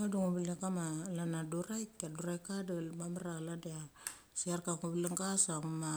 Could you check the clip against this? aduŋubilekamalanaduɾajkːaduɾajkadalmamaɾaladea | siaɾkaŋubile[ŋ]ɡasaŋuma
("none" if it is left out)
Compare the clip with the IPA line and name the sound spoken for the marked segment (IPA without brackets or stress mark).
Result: ŋ